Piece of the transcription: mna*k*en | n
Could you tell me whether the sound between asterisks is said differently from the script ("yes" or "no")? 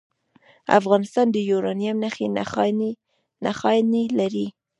yes